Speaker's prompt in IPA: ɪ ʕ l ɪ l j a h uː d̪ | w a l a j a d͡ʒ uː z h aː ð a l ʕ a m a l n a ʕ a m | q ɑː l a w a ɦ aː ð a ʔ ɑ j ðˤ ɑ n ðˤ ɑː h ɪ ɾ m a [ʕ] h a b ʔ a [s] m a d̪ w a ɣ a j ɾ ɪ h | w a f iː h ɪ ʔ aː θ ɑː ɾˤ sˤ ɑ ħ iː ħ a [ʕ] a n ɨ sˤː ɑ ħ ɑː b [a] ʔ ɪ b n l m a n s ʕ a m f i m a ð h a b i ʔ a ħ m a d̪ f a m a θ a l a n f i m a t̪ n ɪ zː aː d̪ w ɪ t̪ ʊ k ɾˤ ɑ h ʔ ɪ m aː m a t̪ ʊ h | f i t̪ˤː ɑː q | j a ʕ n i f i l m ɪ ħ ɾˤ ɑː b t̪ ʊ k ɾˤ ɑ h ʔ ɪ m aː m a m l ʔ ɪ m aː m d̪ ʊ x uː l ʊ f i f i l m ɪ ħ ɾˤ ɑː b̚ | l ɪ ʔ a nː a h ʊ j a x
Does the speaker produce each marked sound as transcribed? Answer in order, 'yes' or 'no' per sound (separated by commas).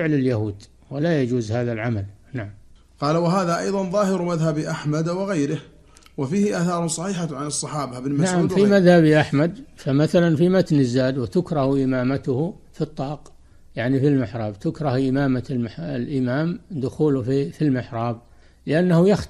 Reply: no, no, yes, yes